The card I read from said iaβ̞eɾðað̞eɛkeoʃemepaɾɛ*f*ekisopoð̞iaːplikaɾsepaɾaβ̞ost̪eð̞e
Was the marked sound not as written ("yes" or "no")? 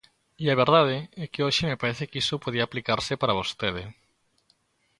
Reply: yes